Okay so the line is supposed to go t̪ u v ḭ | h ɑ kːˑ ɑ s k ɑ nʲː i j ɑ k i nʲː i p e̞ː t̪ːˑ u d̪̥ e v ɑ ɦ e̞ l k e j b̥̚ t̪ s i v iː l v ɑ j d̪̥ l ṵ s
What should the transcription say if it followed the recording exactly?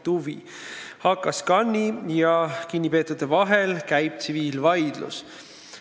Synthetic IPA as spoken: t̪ u v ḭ | h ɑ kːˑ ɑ s k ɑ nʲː i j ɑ k i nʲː i p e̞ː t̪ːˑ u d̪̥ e v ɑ ɦ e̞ l k æ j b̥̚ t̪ s i v iː l v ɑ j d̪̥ l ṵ s